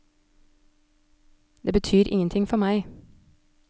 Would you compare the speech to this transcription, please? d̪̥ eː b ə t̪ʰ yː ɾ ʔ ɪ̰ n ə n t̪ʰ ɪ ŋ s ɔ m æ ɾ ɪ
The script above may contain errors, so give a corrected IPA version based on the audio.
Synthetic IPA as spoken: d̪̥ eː b ə t̪ʰ yː ɾ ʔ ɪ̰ ŋ ə n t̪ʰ ɪ ŋ f ɔ m æ ɪ